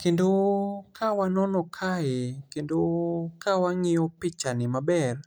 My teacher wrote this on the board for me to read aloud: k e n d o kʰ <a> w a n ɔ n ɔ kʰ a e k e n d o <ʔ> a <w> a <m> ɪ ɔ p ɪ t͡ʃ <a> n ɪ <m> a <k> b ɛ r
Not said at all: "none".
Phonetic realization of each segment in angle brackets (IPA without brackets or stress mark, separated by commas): a, k, w, ŋ, a, m, none